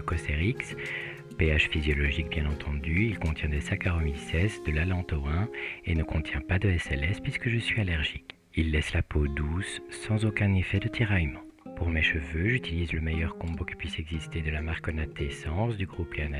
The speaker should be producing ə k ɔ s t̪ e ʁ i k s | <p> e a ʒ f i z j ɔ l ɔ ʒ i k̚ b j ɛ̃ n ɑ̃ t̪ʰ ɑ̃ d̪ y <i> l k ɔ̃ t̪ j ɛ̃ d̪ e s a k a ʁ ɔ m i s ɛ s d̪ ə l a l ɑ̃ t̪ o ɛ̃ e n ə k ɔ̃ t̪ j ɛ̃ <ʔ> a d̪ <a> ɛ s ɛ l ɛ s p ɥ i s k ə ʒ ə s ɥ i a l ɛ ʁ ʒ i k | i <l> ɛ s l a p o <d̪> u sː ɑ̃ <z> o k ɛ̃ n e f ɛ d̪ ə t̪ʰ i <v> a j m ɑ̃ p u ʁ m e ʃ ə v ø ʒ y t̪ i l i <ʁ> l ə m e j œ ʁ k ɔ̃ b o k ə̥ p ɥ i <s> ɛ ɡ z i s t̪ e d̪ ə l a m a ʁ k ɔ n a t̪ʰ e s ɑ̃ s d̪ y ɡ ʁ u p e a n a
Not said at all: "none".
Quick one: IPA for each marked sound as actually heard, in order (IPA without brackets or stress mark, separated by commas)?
p, i, p, ə, lː, d̪, z, ʁ, z, s